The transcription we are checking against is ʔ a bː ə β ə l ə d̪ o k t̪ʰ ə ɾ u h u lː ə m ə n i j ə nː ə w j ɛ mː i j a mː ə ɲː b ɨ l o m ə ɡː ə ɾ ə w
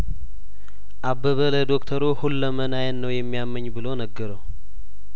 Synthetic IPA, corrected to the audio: ʔ a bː ə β ə l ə d̪ o k t̪ʰ ə ɾ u h u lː ə m ə n a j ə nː ə w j ɛ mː i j a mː ə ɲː b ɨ l o n ə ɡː ə ɾ ə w